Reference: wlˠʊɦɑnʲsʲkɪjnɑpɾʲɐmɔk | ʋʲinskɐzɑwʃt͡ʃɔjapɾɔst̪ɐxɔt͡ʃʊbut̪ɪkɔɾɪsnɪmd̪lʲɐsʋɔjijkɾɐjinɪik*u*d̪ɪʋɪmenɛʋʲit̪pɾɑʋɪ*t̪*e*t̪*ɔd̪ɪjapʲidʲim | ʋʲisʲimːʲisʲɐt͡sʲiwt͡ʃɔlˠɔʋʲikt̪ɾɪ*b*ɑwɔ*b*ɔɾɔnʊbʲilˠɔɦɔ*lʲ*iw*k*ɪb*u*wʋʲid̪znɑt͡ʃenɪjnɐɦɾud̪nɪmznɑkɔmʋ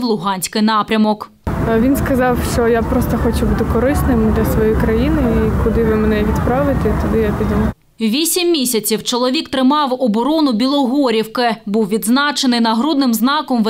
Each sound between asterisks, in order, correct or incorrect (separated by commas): incorrect, correct, correct, incorrect, correct, incorrect, correct, correct